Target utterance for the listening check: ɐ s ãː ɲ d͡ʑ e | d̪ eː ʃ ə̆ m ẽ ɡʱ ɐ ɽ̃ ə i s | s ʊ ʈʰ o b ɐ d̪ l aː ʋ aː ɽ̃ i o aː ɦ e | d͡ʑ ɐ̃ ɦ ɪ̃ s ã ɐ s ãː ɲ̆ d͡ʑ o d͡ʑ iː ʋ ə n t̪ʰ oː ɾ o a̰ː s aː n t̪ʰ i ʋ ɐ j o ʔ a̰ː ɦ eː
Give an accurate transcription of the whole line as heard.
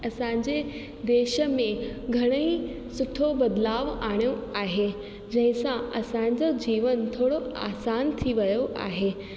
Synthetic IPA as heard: ɐ s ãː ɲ d͡ʑ e | d̪ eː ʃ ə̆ m ẽ ɡʱ ɐ ɽ̃ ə i | s ʊ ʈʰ o b ɐ d̪ l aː ʋ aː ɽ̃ j o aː ɦ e | d͡ʑ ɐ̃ ɦ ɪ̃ s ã ɐ s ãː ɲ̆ d͡ʑ o d͡ʑ iː ʋ ə n t̪ʰ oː ɽ o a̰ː s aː n t̪ʰ i ʋ ɐ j o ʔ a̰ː ɦ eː